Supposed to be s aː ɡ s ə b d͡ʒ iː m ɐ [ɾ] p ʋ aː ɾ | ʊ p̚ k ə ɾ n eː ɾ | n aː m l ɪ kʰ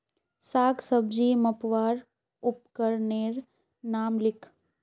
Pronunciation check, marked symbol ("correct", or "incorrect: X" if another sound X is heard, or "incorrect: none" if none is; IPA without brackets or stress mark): incorrect: none